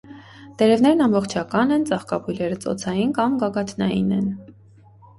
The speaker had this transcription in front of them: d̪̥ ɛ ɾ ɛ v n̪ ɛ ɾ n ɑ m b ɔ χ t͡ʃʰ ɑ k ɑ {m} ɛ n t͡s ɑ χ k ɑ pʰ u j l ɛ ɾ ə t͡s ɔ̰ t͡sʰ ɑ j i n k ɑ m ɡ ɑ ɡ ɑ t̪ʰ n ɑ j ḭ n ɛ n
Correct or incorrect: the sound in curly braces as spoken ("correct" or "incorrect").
incorrect